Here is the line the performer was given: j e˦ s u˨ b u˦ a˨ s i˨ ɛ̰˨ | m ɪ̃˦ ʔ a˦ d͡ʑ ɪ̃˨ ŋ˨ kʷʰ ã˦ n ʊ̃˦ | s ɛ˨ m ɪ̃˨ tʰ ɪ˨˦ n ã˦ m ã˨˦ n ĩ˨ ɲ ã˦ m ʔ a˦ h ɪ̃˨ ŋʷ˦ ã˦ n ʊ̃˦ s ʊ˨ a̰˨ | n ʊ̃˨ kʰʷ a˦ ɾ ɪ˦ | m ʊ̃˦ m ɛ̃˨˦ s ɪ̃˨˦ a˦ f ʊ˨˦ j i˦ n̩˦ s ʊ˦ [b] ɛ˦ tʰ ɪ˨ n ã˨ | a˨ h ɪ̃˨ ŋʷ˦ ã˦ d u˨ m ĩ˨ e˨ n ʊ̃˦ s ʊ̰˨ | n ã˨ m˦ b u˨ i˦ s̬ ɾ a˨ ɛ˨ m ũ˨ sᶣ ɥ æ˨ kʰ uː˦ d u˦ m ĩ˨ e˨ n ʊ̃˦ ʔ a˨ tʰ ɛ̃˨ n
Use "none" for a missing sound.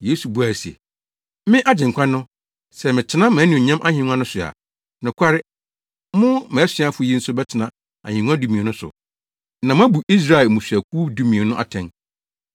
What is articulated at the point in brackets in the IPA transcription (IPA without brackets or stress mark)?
b